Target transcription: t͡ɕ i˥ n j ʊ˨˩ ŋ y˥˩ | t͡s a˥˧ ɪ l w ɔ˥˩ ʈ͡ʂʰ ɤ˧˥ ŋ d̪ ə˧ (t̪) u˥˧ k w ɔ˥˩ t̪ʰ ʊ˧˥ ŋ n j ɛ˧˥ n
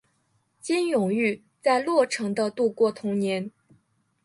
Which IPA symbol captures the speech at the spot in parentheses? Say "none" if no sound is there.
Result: t̪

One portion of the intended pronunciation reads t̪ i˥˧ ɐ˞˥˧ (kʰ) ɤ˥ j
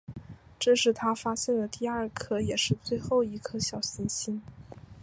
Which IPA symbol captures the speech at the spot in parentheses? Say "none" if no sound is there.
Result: kʰ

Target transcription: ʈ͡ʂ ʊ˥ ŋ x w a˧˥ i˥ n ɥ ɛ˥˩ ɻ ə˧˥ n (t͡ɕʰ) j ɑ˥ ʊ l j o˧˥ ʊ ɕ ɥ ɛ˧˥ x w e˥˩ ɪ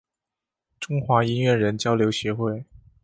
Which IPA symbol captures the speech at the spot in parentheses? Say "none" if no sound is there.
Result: t͡ɕ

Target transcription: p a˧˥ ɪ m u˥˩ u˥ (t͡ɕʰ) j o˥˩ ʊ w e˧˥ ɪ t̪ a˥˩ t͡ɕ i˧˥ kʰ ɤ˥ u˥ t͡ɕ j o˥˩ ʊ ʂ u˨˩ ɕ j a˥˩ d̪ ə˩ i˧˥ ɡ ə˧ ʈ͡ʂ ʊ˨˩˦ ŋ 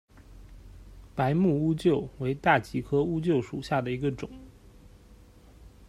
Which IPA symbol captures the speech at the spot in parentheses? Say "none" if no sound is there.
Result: t͡ɕ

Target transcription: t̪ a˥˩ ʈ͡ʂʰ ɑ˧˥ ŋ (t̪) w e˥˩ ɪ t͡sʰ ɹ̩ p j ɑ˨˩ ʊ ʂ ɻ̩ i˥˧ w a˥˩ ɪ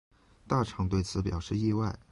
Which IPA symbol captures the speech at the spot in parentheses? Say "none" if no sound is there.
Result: t̪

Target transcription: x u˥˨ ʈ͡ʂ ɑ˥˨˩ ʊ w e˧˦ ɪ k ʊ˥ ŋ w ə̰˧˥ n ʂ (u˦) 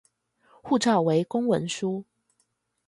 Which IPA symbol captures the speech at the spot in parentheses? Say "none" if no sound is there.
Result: u˦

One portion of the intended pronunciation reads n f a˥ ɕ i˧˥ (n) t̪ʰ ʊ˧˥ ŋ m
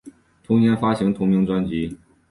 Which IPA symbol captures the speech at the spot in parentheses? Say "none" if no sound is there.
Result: ŋ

